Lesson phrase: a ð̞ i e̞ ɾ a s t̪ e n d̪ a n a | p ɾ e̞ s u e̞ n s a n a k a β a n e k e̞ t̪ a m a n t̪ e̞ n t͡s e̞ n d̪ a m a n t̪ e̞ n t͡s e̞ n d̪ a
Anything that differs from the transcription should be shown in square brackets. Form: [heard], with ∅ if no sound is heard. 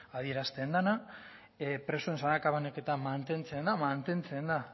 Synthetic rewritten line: a ð̞ i e̞ ɾ a s t̪ e n d̪ a n a | p ɾ e̞ s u e̞ n s a n a k a β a n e k e̞ t̪ a m a n t̪ e̞ n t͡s e̞ n d̪ a m a n t̪ e̞ n t͡s e̞ n d̪ a